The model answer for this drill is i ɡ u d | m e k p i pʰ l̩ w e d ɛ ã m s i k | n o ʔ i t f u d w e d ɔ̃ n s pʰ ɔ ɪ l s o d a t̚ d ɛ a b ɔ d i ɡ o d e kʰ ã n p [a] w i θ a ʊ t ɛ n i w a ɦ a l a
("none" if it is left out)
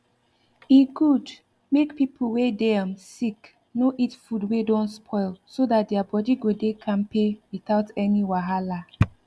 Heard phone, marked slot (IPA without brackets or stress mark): e